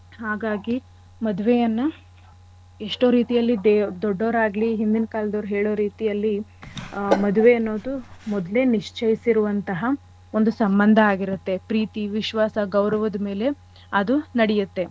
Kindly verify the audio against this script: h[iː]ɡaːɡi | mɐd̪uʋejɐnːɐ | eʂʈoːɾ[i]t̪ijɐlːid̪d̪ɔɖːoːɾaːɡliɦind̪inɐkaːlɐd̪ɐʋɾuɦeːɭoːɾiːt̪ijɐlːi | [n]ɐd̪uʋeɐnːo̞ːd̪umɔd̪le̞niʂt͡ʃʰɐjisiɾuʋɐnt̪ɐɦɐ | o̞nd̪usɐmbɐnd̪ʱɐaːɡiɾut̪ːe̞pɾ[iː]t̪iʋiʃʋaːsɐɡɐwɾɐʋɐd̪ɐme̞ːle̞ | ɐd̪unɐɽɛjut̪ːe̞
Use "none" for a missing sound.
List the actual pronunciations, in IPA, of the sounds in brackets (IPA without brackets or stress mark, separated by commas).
aː, iː, m, iː